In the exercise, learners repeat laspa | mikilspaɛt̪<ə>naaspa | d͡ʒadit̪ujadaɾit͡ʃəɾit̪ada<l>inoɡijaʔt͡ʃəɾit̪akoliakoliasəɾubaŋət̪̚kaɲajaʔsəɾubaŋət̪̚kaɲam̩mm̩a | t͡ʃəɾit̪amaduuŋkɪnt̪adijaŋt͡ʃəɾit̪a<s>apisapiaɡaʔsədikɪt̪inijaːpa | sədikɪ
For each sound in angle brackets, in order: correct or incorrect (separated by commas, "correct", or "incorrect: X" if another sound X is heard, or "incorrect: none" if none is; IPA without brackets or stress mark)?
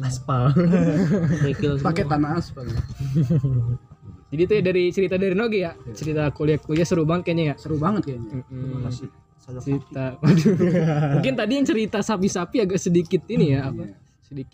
incorrect: a, incorrect: ɾ, correct